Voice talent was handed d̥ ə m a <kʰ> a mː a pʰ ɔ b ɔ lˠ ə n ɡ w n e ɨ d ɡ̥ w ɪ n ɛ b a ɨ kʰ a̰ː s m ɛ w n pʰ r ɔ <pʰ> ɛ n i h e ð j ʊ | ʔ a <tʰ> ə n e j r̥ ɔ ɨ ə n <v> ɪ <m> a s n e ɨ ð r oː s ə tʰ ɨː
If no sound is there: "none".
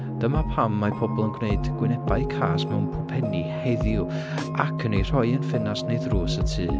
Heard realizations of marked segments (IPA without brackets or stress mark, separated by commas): pʰ, pʰ, kʰ, f, n